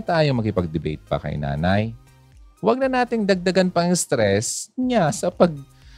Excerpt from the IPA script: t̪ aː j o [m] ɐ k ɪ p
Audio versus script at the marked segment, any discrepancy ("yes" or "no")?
no